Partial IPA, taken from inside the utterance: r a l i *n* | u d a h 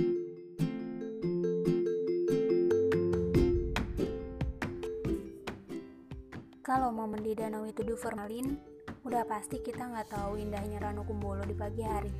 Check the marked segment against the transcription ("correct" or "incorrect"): correct